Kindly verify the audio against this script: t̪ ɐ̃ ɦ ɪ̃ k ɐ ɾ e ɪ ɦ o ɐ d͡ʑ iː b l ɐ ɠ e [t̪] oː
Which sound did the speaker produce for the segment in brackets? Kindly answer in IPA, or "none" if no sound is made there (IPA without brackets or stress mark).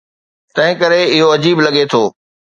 t̪ʰ